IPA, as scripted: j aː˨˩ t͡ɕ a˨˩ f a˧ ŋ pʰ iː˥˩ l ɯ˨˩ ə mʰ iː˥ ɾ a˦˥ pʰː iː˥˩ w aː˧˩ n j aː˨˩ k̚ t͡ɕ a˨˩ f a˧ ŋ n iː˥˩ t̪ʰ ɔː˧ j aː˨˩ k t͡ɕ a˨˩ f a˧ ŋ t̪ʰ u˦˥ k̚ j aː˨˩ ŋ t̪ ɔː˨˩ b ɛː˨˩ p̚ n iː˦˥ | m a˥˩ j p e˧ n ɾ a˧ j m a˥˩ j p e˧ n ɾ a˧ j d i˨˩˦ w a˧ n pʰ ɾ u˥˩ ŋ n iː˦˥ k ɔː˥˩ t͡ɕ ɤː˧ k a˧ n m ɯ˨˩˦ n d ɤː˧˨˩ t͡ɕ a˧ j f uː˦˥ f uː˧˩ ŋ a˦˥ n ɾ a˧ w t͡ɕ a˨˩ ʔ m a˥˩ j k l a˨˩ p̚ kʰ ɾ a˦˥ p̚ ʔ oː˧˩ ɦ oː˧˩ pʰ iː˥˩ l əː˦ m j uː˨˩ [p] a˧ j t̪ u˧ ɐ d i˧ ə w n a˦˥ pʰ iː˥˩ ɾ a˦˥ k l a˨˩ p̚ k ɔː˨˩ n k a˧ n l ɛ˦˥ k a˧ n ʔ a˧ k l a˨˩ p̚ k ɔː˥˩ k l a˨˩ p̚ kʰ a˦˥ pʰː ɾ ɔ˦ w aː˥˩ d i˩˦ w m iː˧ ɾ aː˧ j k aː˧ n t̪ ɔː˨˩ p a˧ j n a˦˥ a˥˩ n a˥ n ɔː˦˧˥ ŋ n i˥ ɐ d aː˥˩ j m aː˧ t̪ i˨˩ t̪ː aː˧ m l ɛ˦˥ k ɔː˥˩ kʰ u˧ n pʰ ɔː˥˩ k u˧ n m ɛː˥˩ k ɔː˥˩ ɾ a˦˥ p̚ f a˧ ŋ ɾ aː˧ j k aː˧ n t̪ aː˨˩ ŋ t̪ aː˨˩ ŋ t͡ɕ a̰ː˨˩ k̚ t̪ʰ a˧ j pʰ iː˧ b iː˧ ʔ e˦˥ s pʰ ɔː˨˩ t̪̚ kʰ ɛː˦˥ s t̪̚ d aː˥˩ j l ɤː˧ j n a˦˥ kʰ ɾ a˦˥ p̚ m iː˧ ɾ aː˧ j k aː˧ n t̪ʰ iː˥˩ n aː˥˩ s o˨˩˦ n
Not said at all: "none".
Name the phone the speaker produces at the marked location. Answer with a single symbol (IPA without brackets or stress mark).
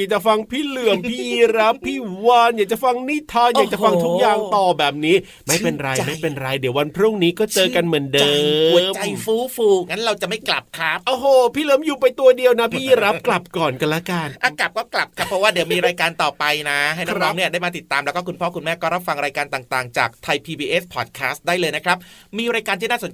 p